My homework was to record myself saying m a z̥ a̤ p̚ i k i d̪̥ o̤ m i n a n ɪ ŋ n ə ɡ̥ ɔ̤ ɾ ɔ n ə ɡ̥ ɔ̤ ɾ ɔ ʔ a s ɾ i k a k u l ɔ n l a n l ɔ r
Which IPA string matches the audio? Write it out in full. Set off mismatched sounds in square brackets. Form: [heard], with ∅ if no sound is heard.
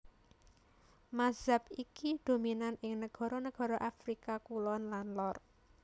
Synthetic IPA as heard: m a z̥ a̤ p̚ i k i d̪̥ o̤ m i n a n ɪ ŋ n ə ɡ̥ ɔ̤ ɾ ɔ n ə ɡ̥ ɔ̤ ɾ ɔ ʔ a [f] ɾ i k a k u l ɔ n l a n l ɔ r